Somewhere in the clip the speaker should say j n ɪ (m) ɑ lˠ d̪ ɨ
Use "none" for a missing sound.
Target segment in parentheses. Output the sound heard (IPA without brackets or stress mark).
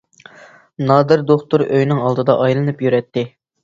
ŋ